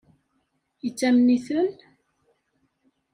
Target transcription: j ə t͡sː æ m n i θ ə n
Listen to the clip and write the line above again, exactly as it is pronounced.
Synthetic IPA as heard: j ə t͡sː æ m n i θ ə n